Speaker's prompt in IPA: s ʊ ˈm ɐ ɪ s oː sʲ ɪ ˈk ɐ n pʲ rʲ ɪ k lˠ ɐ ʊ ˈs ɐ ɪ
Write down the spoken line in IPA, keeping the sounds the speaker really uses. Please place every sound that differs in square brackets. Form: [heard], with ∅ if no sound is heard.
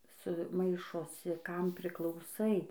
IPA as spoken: s ʊ ˈm ɐ ɪ [ʃ] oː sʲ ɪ ˈk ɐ [m] pʲ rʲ ɪ k lˠ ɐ ʊ ˈs ɐ ɪ